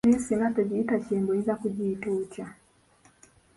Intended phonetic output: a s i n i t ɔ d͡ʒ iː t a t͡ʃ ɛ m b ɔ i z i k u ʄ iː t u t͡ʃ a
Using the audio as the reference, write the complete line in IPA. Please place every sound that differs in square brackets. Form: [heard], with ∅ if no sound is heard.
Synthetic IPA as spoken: [i] s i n [a] t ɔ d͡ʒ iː t a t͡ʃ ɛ m b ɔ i z [a] k u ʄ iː t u t͡ʃ a